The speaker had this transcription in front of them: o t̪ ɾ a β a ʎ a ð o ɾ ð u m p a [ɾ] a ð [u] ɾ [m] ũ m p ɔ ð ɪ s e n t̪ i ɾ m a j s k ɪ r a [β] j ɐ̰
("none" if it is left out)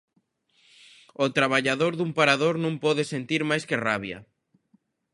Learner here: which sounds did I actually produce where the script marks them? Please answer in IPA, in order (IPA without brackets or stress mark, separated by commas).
ɾ, o, n, β